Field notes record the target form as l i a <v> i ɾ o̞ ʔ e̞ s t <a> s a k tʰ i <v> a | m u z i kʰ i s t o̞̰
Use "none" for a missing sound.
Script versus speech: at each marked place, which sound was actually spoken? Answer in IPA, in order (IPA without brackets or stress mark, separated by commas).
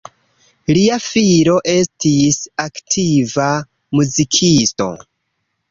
f, i, v